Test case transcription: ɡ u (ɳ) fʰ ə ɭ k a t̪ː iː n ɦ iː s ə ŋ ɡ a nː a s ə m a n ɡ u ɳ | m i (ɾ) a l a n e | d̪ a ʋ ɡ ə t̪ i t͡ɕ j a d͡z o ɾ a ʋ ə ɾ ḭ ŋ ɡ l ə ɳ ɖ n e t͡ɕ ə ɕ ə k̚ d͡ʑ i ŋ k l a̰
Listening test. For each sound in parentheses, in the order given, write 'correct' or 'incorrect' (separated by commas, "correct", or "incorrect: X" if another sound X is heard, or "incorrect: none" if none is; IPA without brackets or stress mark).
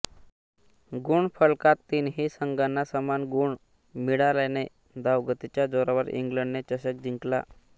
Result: correct, incorrect: ɽ